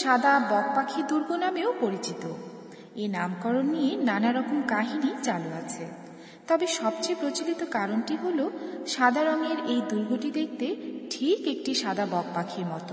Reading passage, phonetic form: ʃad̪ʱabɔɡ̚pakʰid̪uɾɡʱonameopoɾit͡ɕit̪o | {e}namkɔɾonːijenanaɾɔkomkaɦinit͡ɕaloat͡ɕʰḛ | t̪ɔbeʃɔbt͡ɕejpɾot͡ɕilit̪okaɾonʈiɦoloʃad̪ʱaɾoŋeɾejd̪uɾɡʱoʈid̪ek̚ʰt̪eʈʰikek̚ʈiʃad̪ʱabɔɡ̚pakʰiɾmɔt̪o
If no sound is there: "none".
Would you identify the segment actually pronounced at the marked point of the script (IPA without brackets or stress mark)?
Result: e